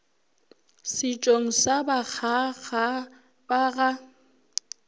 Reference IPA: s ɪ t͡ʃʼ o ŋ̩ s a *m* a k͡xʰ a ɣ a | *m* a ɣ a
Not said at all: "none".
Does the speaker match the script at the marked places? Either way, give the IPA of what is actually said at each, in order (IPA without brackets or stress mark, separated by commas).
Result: b, b